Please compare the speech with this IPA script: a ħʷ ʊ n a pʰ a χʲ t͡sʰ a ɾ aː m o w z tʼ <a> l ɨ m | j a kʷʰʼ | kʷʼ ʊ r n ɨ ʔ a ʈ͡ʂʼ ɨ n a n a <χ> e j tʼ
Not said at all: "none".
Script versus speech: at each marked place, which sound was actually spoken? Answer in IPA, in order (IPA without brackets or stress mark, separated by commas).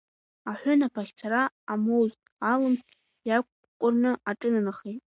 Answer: a, χ